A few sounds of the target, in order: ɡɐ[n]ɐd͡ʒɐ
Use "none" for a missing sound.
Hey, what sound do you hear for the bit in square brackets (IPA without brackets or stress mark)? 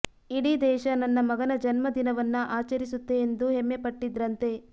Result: n